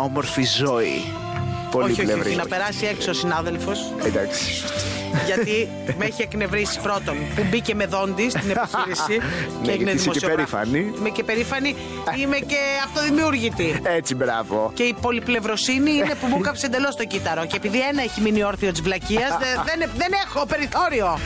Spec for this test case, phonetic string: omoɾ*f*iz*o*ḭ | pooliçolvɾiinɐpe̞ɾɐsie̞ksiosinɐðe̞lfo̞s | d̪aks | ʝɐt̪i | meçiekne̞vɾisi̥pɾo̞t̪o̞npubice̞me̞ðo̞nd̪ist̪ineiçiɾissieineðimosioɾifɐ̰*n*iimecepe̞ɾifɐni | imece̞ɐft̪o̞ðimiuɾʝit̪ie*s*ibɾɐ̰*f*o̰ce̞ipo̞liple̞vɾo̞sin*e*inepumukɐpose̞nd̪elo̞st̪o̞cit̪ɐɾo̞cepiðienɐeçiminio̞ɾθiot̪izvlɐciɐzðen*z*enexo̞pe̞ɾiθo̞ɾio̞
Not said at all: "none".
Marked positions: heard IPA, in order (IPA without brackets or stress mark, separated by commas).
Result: f, o, n, t͡s, v, i, ð